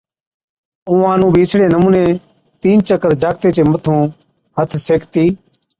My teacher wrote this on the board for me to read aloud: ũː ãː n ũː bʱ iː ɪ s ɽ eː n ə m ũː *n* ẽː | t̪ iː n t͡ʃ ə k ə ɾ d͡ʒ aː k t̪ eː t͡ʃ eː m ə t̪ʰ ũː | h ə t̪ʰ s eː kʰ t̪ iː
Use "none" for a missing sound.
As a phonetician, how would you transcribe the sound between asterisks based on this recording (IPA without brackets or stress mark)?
n